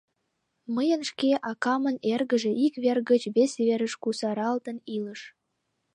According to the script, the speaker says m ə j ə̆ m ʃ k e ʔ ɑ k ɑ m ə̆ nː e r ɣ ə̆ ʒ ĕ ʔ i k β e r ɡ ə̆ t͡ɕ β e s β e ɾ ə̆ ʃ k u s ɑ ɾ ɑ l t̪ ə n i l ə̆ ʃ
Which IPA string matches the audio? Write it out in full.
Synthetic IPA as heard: m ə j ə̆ n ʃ k e ʔ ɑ k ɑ m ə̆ n e r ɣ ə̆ ʒ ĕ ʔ i k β e r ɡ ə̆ t͡ɕ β e s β e ɾ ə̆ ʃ k u s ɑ ɾ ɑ l t̪ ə n i l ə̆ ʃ